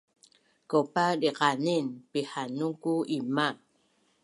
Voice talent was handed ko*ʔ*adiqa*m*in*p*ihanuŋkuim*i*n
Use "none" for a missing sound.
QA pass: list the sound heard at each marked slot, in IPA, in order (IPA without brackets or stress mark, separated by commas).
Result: p, n, p, a